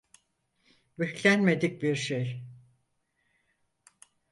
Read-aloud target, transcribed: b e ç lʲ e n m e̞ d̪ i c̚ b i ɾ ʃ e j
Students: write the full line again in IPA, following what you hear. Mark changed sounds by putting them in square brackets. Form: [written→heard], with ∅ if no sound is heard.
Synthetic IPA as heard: b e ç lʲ [e→æ] n m e̞ d̪ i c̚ b i ɾ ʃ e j

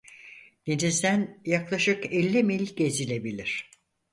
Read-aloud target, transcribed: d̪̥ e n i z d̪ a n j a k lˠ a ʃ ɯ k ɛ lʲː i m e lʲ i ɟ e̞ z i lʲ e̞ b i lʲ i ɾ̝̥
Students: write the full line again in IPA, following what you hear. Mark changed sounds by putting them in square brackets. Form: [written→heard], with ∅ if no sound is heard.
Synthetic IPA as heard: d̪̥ e n i z d̪ [a→æ] n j a k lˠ a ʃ ɯ k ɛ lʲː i m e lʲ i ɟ e̞ z i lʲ e̞ b i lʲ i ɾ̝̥

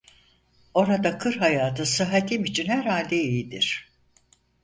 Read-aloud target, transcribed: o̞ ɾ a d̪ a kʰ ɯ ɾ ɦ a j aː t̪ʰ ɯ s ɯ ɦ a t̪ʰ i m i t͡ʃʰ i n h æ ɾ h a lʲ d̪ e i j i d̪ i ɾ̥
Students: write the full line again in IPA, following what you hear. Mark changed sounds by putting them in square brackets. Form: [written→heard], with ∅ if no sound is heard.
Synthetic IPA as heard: o̞ ɾ a d̪ a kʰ ɯ ɾ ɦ a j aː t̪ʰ ɯ s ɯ ɦ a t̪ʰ i m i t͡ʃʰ i n h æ ɾ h a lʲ d̪ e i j i d̪ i ɾ̥

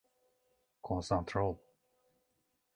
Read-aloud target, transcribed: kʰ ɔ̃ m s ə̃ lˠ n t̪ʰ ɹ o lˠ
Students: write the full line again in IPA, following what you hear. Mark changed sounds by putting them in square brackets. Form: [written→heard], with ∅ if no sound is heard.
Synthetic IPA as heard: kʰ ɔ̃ [m→n] s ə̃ [lˠ→∅] n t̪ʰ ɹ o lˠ

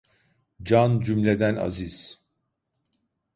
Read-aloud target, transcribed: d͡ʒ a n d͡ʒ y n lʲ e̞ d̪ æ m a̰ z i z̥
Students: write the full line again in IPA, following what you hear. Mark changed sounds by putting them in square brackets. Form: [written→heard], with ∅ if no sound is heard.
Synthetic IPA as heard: d͡ʒ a n d͡ʒ y [n→m] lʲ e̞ d̪ æ [m→n] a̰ z i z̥

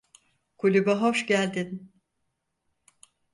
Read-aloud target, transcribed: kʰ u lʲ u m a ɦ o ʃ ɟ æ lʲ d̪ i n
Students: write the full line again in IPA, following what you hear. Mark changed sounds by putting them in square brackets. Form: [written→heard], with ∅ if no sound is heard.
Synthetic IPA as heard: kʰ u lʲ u [m→b] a ɦ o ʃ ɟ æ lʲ d̪ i n

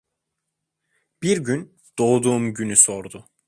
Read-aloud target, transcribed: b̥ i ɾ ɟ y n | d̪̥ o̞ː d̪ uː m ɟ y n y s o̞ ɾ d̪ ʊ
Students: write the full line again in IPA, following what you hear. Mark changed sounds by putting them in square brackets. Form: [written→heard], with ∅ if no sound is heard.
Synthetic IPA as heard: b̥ i ɾ ɟ y n | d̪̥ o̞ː d̪ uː m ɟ y n y s o̞ ɾ d̪ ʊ

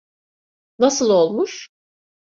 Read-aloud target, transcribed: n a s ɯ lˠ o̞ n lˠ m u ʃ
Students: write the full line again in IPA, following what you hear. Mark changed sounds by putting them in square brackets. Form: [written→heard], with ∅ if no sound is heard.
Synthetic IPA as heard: n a s ɯ lˠ o̞ [n→∅] lˠ m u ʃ

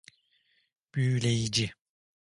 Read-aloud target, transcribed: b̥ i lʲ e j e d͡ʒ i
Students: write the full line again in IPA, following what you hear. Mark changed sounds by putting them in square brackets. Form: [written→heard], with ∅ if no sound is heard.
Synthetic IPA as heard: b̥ [i→y] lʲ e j [e→i] d͡ʒ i

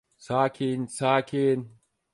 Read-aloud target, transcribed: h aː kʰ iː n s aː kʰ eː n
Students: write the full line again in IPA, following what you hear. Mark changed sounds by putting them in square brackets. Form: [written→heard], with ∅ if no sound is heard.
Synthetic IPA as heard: [h→s] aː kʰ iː n s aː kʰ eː n

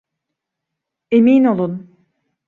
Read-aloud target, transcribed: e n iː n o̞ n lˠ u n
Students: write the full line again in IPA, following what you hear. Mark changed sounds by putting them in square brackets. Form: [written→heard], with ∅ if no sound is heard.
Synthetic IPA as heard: e [n→m] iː n o̞ [n→∅] lˠ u n

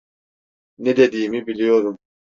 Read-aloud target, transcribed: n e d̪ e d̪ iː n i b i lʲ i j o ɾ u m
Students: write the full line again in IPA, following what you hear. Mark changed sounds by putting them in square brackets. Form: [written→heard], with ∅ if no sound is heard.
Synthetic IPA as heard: n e d̪ e d̪ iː [n→m] i b i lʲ i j o ɾ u m

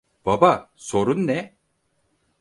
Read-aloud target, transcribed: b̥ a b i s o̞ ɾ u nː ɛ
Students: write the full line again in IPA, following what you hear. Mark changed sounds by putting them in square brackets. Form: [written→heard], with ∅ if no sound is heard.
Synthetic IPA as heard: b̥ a b [i→a] s o̞ ɾ u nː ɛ

